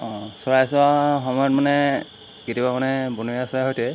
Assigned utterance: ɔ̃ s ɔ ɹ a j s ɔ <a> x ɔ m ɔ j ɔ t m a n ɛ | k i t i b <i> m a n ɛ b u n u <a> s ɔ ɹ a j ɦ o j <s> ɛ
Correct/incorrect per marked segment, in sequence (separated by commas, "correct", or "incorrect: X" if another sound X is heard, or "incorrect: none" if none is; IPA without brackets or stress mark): correct, incorrect: a, correct, incorrect: t